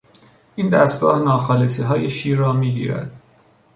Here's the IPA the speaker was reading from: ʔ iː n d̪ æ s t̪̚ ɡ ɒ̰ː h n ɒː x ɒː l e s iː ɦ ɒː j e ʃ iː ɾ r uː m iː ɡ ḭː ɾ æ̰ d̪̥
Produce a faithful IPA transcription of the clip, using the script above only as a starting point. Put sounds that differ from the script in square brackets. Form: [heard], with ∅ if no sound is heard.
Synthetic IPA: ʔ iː n d̪ æ s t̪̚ ɡ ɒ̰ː h n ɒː x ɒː l e s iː ɦ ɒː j e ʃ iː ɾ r [ɒː] m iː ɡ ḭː ɾ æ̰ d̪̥